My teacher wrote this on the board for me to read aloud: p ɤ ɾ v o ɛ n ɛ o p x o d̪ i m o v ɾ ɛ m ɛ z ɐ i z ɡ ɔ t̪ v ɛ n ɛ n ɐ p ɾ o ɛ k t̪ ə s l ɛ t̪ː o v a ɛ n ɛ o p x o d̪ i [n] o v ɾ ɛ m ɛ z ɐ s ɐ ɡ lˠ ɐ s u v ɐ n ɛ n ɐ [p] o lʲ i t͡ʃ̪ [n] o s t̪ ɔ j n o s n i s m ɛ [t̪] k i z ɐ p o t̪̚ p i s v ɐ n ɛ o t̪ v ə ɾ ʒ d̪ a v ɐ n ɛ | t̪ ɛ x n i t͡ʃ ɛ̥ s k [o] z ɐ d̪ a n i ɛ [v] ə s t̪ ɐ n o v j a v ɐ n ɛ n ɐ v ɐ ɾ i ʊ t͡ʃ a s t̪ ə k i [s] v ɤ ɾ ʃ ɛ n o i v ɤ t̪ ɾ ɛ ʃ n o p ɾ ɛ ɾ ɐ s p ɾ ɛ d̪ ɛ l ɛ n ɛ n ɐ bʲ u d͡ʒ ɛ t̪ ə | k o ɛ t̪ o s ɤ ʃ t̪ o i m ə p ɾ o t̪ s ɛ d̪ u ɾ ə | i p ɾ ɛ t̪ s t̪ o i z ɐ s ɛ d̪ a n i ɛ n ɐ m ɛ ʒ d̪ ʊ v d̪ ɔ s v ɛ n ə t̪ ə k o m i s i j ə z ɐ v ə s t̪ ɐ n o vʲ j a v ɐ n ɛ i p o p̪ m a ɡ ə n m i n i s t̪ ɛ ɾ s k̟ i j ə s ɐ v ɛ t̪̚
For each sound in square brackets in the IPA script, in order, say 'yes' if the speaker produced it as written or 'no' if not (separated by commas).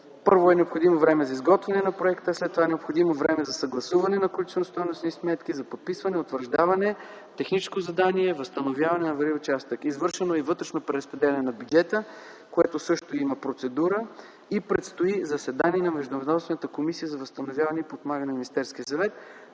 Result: no, no, yes, yes, yes, yes, no